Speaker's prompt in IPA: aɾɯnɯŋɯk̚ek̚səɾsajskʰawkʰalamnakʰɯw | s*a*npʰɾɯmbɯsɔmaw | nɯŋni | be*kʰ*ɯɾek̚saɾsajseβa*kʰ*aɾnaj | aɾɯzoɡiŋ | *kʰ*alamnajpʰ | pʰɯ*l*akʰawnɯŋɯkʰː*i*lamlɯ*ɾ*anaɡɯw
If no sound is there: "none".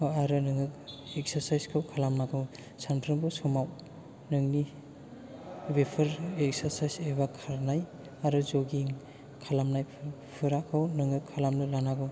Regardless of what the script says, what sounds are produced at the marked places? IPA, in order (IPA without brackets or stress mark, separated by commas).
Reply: a, pʰ, kʰ, kʰ, ɾ, a, l